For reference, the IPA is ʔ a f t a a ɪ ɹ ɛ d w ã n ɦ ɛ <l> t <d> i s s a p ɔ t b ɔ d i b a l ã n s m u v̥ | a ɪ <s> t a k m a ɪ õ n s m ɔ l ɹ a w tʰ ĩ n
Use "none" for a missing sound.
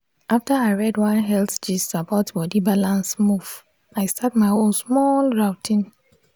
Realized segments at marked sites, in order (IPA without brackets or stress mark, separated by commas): l, d͡ʒ, s